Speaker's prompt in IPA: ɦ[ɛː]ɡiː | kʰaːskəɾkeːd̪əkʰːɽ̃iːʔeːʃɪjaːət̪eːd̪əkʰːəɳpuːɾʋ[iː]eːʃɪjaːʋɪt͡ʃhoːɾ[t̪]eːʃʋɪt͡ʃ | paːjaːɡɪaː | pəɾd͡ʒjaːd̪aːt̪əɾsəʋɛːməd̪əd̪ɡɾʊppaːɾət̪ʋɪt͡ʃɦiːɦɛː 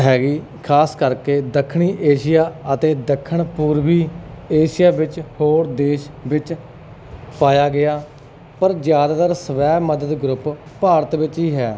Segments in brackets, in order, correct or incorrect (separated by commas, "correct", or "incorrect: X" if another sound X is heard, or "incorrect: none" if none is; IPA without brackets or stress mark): correct, correct, incorrect: d̪